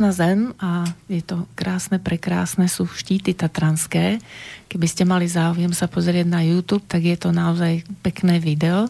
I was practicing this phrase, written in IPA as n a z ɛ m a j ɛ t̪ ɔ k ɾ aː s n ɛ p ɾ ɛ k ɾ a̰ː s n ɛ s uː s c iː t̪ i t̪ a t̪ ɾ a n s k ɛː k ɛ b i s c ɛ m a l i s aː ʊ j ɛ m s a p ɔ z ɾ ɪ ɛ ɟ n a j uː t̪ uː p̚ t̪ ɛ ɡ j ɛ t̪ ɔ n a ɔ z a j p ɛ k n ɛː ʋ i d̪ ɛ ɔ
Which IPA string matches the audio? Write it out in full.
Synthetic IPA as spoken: n a z ɛ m a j ɛ t̪ ɔ k ɾ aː s n ɛ p ɾ ɛ k ɾ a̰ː s n ɛ s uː ʃ c iː t̪ i t̪ a t̪ ɾ a n s k ɛː k ɛ b i s c ɛ m a l i z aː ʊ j ɛ m s a p ɔ z ɾ ɪ ɛ ɟ n a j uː t̪ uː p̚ t̪ a ɡ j ɛ t̪ ɔ n a ɔ z a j p ɛ k n ɛː ʋ i d̪ ɛ ɔ